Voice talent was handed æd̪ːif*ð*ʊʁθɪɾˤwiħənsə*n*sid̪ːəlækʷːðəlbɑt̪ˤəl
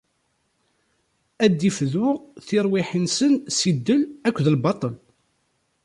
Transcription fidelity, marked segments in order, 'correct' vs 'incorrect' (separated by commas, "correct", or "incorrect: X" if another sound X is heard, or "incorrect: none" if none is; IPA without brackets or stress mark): correct, correct